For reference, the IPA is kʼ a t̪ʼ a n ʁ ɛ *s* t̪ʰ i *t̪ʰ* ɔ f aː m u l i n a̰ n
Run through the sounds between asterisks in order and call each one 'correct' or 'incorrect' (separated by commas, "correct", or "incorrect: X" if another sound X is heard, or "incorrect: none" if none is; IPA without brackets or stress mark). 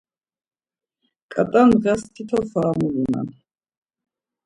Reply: correct, correct